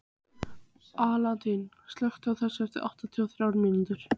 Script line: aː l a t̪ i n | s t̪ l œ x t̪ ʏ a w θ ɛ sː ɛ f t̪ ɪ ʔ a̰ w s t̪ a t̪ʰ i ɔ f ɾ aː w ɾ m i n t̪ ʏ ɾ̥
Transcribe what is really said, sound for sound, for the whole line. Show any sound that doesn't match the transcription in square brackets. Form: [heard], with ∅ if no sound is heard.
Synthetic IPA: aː l a t̪ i n | s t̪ l œ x t̪ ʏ a w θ ɛ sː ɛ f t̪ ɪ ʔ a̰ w [h] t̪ a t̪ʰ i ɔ [θ] ɾ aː w ɾ m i n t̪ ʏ ɾ̥

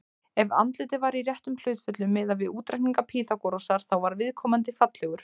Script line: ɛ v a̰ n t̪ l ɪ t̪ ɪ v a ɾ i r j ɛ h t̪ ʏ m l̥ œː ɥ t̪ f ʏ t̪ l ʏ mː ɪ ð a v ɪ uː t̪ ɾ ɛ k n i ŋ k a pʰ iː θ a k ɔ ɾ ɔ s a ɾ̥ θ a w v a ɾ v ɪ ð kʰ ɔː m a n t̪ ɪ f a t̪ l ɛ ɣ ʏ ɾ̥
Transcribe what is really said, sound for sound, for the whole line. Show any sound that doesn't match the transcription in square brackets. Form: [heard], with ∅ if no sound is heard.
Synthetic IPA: ɛ v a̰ n t̪ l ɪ t̪ ɪ v a ɾ i r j ɛ h t̪ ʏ m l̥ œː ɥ t̪ f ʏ t̪ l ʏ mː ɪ ð a v ɪ uː t̪ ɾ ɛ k n i ŋ k a pʰ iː θ a k ɔ ɾ ɔ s a ɾ̥ θ a w v a ɾ v ɪ ð kʰ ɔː m a n t̪ ɪ f a t̪ l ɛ ɣ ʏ ɾ̥

